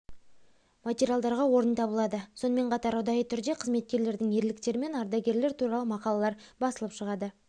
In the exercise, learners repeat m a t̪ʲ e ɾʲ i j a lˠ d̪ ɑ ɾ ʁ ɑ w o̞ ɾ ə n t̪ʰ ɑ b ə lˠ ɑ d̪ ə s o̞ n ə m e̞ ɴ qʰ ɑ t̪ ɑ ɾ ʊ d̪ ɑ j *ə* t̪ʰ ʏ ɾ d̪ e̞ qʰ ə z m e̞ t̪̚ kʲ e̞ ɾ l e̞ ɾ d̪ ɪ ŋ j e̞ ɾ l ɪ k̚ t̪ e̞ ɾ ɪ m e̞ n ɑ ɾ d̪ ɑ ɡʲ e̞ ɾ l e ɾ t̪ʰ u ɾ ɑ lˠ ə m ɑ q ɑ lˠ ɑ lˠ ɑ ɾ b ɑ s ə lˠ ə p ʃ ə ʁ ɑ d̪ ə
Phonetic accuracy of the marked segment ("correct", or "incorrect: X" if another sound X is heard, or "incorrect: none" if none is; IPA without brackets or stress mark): correct